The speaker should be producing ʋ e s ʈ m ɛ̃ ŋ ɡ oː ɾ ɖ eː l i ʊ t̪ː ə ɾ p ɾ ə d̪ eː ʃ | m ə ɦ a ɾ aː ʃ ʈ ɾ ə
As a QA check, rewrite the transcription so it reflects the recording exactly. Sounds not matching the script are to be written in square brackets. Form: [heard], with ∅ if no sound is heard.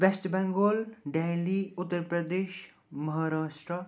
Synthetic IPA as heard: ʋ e s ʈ [b] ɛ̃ ŋ ɡ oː [l] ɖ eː l i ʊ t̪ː ə ɾ p ɾ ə d̪ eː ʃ | m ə ɦ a ɾ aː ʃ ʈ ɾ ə